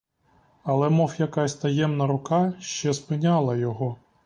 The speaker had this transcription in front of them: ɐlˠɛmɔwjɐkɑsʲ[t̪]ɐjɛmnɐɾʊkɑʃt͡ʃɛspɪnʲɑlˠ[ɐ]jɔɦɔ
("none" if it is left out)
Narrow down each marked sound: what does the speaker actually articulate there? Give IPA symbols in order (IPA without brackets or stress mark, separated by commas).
t̪, ɐ